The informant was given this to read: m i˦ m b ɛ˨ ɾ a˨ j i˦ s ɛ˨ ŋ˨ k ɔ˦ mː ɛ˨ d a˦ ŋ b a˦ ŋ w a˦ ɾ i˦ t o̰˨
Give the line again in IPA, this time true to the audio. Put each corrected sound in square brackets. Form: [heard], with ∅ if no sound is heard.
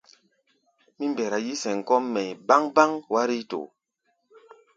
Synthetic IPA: m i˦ m b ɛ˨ ɾ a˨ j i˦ s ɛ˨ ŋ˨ k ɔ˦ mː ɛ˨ [b] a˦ ŋ b a˦ ŋ w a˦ ɾ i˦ t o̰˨